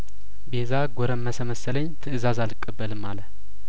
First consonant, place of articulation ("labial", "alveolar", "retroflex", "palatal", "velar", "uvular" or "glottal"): labial